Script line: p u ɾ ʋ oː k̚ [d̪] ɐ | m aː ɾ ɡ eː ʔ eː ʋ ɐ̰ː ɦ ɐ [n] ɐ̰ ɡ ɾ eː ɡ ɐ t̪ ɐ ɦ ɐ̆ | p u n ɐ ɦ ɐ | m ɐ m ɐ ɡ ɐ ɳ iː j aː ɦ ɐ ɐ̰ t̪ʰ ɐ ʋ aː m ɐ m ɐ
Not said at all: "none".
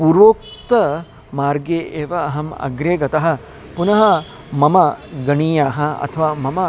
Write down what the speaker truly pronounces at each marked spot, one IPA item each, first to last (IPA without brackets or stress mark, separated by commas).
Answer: t̪, m